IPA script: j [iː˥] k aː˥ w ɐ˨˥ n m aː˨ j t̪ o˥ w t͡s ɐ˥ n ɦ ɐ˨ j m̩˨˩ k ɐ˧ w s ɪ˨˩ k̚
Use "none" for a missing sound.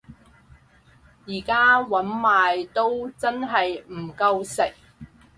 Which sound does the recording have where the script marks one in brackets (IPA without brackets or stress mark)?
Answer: iː˨˩